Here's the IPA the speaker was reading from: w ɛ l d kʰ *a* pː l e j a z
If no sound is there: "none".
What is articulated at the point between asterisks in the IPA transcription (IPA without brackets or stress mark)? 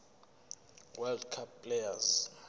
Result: a